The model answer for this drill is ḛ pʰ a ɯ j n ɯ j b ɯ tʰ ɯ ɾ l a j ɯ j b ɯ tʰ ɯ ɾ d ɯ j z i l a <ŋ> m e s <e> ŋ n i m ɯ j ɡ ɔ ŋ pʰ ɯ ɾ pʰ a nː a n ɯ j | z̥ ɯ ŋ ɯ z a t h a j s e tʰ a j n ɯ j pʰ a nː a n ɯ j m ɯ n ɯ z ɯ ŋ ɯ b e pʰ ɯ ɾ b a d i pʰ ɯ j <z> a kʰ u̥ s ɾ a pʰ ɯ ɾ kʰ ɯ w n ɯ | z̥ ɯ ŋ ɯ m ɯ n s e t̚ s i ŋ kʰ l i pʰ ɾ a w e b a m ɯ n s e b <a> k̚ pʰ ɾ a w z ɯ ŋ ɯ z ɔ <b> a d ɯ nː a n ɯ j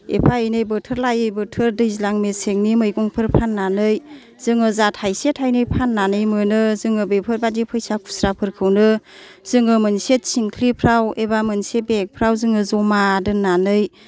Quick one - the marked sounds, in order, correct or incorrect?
correct, correct, incorrect: s, incorrect: e, incorrect: m

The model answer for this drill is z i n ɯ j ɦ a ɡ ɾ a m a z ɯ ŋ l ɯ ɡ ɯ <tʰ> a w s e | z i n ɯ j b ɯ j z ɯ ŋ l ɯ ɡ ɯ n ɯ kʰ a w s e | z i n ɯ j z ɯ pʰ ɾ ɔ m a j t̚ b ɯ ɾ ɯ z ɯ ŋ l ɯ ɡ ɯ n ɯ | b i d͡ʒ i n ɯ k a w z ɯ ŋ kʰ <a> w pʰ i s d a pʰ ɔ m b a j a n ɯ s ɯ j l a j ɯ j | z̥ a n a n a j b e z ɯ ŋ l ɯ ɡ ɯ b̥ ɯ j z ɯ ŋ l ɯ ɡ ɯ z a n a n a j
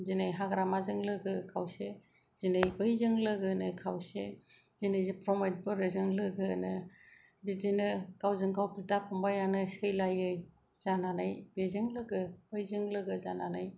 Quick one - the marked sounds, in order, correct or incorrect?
incorrect: kʰ, correct

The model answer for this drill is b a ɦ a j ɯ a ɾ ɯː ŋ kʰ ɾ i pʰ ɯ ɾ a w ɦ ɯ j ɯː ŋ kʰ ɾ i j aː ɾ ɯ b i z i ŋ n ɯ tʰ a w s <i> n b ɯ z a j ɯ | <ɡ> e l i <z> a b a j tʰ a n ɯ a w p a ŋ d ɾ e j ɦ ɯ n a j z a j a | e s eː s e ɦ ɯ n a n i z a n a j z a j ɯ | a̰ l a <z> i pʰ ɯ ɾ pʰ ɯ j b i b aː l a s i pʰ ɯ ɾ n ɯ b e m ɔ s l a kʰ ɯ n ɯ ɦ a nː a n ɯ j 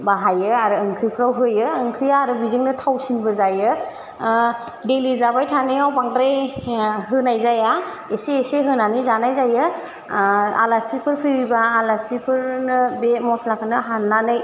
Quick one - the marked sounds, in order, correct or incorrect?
correct, incorrect: d, correct, incorrect: s

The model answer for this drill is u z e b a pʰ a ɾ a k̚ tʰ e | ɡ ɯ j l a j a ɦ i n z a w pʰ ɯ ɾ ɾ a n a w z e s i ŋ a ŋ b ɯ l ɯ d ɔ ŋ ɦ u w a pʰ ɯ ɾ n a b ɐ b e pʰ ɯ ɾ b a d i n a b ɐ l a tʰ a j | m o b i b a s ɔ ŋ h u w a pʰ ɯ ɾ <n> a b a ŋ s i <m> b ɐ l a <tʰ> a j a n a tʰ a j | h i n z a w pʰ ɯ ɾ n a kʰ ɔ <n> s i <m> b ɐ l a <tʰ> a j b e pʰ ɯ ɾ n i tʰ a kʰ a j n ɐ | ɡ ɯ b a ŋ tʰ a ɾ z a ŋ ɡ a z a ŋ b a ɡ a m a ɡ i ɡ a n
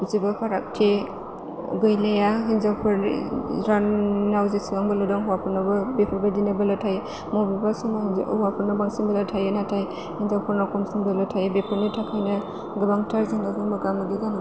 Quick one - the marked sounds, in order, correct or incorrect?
correct, incorrect: ŋ, correct, incorrect: m, incorrect: ŋ, correct

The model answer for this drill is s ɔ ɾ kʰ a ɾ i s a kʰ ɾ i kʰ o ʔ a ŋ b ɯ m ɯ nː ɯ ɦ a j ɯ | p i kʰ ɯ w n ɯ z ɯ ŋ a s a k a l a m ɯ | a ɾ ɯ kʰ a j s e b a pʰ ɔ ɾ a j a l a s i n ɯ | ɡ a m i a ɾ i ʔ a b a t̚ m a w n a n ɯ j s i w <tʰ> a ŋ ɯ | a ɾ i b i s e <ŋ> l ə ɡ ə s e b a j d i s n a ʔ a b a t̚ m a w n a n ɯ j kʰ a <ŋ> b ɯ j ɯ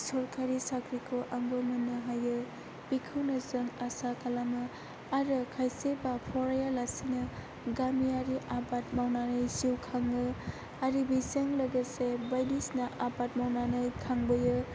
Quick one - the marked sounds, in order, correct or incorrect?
incorrect: kʰ, correct, correct

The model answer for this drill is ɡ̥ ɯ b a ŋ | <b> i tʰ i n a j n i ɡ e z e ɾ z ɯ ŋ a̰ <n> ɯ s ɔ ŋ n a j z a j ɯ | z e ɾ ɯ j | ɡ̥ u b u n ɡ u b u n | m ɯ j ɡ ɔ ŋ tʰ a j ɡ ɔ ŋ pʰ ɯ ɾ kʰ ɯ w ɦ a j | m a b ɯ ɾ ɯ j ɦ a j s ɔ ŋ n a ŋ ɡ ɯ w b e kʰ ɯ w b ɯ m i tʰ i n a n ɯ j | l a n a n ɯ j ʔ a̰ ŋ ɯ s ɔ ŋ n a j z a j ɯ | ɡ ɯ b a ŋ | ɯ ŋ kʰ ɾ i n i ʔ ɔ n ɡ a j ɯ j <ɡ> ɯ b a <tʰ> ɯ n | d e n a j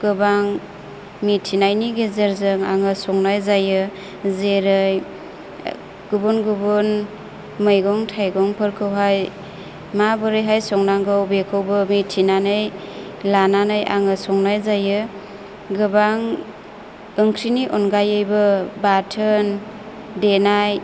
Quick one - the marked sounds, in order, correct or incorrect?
incorrect: m, incorrect: ŋ, incorrect: b, correct

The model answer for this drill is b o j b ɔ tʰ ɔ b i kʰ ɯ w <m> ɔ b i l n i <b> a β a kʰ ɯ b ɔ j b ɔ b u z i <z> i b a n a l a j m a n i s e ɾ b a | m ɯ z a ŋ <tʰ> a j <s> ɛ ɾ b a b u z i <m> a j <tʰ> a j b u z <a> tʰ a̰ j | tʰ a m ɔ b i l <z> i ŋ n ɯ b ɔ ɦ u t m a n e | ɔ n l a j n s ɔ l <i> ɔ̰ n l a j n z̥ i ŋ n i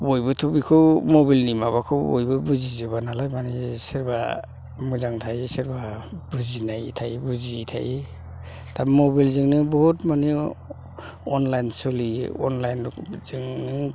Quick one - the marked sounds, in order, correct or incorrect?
correct, incorrect: m, correct, correct, correct, incorrect: n, correct, incorrect: i, correct, correct

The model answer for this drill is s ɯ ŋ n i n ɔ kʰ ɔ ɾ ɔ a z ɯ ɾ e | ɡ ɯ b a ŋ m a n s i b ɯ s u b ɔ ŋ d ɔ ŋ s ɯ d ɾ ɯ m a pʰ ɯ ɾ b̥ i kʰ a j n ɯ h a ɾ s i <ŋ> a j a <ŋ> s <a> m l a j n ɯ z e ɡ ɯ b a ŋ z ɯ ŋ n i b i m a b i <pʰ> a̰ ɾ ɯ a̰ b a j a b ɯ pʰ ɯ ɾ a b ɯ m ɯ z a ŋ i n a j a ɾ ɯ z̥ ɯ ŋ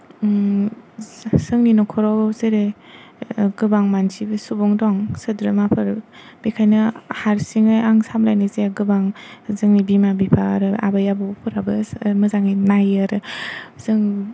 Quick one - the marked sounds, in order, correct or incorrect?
correct, correct, correct, correct

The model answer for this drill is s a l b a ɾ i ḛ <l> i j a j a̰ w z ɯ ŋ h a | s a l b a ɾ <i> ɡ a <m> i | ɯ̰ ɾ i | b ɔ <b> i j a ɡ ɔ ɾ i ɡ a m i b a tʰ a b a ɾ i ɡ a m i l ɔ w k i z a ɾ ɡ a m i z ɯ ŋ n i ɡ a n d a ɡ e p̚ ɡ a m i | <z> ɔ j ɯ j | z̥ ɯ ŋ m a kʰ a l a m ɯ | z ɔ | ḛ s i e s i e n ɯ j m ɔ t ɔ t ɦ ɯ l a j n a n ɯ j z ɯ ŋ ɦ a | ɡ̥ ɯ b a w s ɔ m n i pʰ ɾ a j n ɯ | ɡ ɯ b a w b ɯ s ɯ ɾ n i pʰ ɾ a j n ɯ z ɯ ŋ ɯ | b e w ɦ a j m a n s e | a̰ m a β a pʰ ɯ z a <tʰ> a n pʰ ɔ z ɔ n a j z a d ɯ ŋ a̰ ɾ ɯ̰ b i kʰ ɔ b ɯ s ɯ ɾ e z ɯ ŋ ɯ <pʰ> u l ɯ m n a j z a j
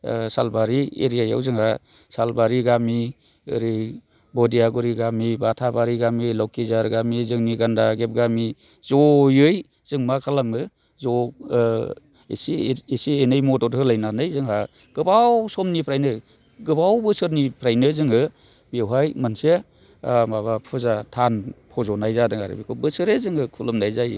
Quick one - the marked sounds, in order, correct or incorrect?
incorrect: ɾ, correct, correct, incorrect: d, correct, correct, incorrect: kʰ

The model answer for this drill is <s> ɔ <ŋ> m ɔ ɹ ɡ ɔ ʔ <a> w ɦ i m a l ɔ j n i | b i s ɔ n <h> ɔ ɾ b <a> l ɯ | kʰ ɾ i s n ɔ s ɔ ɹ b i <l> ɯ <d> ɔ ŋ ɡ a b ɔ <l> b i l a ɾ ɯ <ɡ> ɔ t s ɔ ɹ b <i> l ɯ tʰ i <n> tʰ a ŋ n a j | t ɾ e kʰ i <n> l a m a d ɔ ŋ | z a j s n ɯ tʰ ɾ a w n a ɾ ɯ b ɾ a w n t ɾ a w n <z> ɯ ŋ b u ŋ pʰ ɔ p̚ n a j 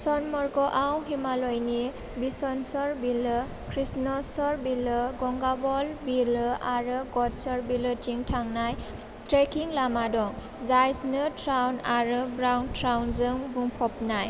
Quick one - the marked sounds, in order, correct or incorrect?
correct, incorrect: n, correct, incorrect: s, incorrect: i, correct, incorrect: ɡ, correct, correct, correct, incorrect: ŋ, incorrect: ŋ, correct

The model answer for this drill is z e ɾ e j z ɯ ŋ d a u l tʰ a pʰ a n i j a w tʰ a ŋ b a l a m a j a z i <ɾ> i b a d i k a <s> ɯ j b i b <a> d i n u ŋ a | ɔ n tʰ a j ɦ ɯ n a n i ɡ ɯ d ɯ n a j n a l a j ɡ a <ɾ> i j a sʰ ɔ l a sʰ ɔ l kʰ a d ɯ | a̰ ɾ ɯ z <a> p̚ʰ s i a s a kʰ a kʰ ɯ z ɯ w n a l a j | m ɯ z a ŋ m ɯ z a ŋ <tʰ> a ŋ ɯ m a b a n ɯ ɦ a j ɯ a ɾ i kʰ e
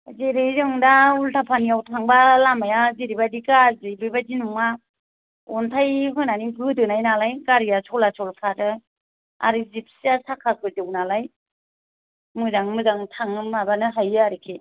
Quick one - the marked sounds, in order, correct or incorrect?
correct, incorrect: z, correct, correct, incorrect: i, correct

